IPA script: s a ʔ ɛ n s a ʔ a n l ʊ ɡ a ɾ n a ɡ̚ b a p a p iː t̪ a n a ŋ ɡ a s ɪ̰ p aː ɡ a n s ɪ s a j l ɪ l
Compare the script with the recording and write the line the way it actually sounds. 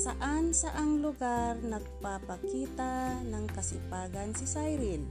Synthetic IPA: s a ʔ a n s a ʔ a ŋ l ʊ ɡ a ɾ n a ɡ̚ p a p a k iː t̪ a n a ŋ k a s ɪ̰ p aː ɡ a n s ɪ s a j ɾ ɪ l